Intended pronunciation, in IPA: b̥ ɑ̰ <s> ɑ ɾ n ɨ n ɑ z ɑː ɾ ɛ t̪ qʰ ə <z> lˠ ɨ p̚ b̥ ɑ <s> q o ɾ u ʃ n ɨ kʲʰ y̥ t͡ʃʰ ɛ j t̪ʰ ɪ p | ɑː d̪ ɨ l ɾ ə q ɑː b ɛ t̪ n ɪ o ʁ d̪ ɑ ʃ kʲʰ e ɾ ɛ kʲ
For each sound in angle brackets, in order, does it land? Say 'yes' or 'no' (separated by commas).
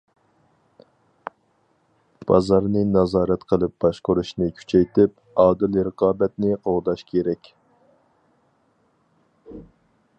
no, no, no